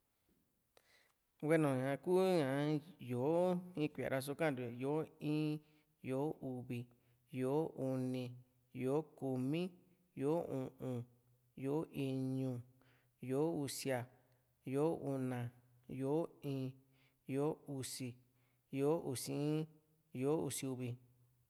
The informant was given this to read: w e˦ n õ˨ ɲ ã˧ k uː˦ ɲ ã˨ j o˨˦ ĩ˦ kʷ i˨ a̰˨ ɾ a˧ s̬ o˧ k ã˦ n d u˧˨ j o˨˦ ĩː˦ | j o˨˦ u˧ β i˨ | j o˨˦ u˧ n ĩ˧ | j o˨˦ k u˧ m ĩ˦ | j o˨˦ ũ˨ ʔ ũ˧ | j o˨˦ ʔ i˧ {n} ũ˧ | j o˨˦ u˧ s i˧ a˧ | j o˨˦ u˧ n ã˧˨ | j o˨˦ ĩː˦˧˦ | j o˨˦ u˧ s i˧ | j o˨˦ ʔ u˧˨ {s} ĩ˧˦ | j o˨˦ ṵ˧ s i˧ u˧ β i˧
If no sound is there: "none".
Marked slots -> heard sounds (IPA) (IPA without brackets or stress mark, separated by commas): ɲ, s